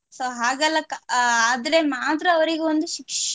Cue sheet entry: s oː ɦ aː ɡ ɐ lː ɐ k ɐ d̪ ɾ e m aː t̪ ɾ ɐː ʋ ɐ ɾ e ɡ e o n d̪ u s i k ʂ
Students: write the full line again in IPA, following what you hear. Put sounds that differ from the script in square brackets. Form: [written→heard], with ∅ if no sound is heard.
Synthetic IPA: s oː ɦ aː ɡ ɐ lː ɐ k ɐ d̪ ɾ e m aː t̪ ɾ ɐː ʋ ɐ ɾ [e→i] ɡ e o n d̪ u [s→ʃ] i k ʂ

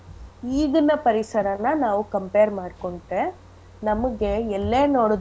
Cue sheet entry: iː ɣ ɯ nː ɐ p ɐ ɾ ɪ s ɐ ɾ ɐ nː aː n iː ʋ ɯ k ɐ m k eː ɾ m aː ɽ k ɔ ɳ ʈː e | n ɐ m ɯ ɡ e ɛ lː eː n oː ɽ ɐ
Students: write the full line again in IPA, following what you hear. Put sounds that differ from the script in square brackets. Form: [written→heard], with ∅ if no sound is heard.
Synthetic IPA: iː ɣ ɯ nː ɐ p ɐ ɾ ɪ s ɐ ɾ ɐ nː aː n [iː→aː] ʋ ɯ k ɐ m [k→p] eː ɾ m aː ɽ k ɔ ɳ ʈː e | n ɐ m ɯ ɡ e ɛ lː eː n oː ɽ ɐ

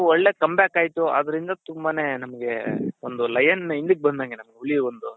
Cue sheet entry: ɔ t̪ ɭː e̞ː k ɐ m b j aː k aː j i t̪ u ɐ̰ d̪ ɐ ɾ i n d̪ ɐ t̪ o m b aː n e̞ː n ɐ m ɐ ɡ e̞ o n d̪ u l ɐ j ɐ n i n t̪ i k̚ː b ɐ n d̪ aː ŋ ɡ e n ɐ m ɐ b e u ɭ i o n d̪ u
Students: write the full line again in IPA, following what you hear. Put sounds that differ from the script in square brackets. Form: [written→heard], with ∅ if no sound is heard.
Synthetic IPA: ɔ [t̪→∅] ɭː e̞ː k ɐ m b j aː k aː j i t̪ u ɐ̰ d̪ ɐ ɾ i n d̪ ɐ t̪ [o→u] m b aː n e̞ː n ɐ m ɐ ɡ e̞ o n d̪ u l ɐ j ɐ n i n [t̪→d̪] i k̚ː b ɐ n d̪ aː ŋ ɡ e n ɐ m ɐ [b→ɡ] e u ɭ i o n d̪ u

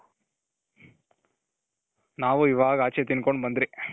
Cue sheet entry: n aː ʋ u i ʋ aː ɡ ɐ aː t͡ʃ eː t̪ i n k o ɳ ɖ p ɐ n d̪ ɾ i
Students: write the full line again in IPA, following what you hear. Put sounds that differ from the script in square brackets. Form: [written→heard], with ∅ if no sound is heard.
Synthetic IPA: n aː ʋ u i ʋ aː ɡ ɐ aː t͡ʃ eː t̪ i n k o ɳ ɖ [p→b] ɐ n d̪ ɾ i

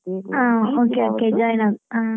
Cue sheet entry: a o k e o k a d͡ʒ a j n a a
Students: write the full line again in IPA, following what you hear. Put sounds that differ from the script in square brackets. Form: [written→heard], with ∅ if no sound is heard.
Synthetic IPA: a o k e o k [a→e] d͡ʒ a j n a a

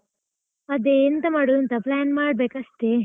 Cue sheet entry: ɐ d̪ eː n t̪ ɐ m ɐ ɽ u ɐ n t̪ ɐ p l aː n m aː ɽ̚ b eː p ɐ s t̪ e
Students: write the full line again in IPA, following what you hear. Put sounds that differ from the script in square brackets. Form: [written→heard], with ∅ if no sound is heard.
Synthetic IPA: ɐ d̪ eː n t̪ ɐ m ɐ ɽ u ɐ n t̪ ɐ p l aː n m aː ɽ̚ b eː [p→k] ɐ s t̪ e

